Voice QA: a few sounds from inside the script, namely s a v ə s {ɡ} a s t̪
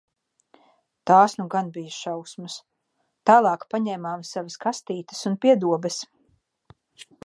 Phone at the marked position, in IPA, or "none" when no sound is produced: k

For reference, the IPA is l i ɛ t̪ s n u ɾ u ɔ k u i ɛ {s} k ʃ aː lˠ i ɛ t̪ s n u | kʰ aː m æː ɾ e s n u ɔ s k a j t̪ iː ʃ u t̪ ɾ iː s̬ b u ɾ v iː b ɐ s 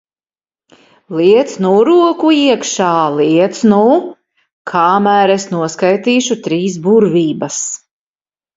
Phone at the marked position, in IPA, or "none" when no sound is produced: none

